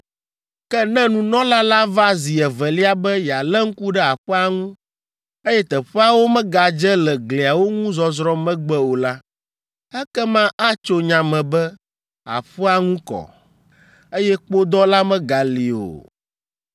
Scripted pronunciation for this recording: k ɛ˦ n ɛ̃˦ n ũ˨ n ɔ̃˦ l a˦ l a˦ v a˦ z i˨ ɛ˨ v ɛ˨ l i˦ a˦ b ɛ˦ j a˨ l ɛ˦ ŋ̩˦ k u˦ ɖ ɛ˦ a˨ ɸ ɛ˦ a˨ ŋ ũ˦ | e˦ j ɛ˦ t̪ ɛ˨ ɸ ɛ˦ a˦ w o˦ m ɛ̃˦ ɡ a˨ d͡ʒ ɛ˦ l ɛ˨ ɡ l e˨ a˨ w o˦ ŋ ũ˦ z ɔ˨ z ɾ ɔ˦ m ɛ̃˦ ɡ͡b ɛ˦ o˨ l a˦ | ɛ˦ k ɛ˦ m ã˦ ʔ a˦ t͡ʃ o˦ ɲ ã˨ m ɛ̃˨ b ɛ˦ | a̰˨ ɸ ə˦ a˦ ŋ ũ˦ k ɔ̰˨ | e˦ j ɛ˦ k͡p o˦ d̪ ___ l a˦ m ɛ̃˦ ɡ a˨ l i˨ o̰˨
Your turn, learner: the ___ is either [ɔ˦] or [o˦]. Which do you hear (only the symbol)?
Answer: ɔ˦